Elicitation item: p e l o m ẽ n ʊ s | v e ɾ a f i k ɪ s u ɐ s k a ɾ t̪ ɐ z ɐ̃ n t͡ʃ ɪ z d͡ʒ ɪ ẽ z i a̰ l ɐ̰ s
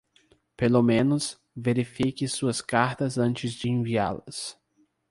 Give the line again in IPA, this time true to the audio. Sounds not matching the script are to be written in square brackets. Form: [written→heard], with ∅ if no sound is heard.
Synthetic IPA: p e l o m ẽ n ʊ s | v e ɾ [a→i] f i k ɪ s u ɐ s k a ɾ t̪ ɐ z ɐ̃ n t͡ʃ ɪ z d͡ʒ ɪ ẽ [z→v] i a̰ l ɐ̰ s